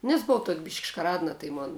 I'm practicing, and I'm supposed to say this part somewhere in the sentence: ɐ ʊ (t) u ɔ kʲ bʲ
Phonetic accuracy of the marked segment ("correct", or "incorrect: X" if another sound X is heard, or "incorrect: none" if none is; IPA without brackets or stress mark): correct